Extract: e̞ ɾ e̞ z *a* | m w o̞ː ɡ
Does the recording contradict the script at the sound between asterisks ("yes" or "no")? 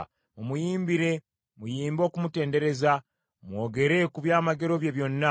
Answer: no